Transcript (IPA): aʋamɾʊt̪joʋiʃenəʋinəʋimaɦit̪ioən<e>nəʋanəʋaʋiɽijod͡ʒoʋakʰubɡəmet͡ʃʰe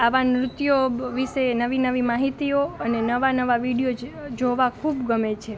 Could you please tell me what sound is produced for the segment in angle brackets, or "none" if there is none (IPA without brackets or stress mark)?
e